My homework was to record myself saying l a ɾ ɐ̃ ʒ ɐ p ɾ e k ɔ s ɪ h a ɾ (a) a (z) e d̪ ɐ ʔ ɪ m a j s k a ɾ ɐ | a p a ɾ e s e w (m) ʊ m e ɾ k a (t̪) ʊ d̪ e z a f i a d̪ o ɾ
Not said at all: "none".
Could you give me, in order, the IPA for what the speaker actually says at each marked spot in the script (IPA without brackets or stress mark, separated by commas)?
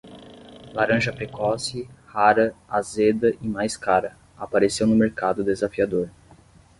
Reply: ɐ, z, n, d̪